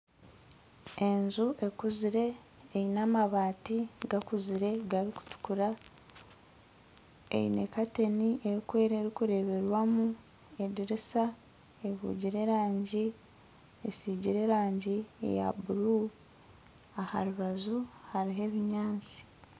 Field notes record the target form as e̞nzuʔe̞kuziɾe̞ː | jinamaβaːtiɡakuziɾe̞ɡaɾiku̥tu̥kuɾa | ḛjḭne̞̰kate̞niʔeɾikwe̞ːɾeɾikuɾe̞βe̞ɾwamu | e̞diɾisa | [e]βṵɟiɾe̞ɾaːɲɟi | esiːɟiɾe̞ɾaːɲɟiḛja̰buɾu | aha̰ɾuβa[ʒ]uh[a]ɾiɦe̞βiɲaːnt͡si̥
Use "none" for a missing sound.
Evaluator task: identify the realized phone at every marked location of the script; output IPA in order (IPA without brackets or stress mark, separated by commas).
e, z, a